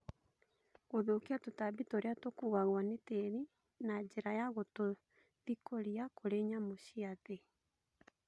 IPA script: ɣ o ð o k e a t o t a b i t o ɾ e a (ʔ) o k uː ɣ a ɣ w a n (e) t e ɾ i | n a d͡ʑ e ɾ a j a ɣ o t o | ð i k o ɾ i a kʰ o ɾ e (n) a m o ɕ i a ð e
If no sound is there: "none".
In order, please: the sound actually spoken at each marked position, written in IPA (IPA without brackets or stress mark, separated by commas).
t, e, ɲ